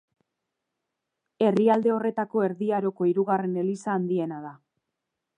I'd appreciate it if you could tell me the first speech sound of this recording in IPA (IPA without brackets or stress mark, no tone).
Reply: e̞